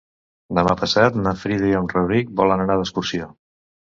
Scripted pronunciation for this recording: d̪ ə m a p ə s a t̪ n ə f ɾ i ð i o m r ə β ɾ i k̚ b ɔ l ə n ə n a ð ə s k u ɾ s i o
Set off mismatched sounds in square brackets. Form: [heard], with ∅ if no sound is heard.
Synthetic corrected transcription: d̪ ə m a p ə s a t̪ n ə f ɾ i ð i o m r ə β ɾ i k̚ b ɔ l ə n ə n a ð ə s k u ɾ s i o

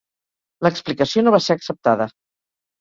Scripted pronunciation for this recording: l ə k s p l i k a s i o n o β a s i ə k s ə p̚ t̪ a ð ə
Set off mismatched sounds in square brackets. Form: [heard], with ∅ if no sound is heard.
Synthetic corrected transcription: l ə k s p l i k [ə] s i o n o β a s [e] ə k s ə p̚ t̪ a ð ə

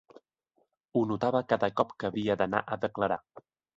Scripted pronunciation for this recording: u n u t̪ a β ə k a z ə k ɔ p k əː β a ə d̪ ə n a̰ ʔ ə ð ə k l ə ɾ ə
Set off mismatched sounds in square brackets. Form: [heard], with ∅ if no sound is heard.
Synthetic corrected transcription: u n u t̪ a β ə k a [ð] ə k ɔ p k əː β [i] ə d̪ ə n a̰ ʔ ə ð ə k l ə ɾ [a]

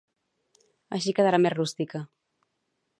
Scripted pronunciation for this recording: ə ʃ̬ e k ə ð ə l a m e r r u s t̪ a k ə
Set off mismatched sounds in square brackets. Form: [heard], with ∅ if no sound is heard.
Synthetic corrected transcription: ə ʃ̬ [i] k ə ð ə [ɾ] a m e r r u s t̪ [i] k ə

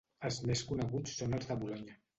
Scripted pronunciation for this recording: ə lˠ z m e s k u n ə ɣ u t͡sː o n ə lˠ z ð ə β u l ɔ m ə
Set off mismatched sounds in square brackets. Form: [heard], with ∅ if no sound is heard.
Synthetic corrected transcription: ə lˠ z m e s k u n ə ɣ u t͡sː o n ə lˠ z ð ə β u l ɔ [ɲ] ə

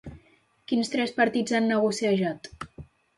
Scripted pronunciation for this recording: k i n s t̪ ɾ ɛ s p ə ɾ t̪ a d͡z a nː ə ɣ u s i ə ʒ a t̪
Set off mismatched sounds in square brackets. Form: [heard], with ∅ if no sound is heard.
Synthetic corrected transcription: k i n s t̪ ɾ ɛ s p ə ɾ t̪ [i] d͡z a nː ə ɣ u s i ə ʒ a t̪

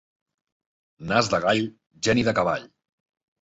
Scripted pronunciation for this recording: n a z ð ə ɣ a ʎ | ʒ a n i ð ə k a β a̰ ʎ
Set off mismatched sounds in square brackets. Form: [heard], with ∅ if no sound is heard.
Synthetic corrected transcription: n a z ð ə ɣ a ʎ | ʒ [ɛ] n i ð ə k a β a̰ ʎ

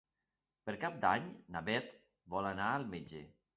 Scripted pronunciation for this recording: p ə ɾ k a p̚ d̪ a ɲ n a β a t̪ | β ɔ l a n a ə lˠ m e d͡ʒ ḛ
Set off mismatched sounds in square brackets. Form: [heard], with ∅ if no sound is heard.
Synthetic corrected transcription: p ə ɾ k a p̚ d̪ a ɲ n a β [ɛ] t̪ | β ɔ l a n a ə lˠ m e d͡ʒ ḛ

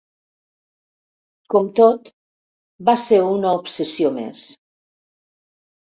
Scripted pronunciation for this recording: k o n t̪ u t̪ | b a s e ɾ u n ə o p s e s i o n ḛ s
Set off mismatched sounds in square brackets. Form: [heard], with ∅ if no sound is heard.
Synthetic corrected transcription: k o [m] t̪ [o] t̪ | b a s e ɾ u n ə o p s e s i o [m] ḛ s

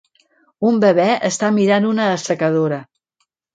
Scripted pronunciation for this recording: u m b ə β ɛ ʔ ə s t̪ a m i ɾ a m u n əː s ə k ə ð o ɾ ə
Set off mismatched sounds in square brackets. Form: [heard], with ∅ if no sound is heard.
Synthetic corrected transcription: u m b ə β ɛ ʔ ə s t̪ a m i ɾ a [n] u n əː s ə k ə ð o ɾ ə

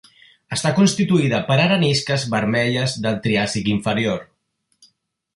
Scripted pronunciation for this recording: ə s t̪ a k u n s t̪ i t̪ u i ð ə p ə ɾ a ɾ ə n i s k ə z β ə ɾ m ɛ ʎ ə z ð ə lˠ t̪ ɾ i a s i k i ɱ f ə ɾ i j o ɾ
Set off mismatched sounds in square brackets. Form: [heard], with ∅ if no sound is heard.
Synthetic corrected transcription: ə s t̪ a k u n s t̪ i t̪ u i ð ə p ə ɾ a ɾ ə n i s k ə z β ə ɾ m ɛ ʎ ə z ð ə lˠ t̪ ɾ i a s i k i ɱ f ə ɾ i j o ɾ

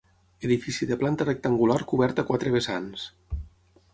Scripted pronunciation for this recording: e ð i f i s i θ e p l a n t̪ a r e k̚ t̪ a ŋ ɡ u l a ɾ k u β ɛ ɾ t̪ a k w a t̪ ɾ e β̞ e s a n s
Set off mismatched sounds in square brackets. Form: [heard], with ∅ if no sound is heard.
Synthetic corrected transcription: e ð i f i s i [ð] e p l a n t̪ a r e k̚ t̪ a ŋ ɡ u l a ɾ k u β ɛ ɾ t̪ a k w a t̪ ɾ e β̞ e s a n s

